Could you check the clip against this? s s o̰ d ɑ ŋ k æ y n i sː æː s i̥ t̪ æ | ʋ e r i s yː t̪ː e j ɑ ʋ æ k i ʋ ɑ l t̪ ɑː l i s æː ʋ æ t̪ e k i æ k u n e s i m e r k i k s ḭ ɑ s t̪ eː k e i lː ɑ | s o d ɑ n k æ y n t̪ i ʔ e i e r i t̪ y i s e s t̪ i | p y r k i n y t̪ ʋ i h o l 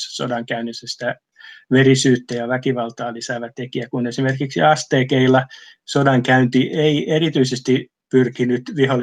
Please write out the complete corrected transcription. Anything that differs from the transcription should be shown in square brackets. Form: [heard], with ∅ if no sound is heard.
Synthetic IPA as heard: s s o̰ d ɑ ŋ k æ y n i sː [æ] s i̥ t̪ æ | ʋ e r i s yː t̪ː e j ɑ ʋ æ k i ʋ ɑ l t̪ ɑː l i s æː ʋ æ t̪ e k i æ k u n e s i m e r k i k s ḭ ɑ s t̪ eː k e i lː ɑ | s o d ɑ [ŋ] k æ y n t̪ i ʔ e i e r i t̪ y i s e s t̪ i | p y r k i n y t̪ ʋ i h o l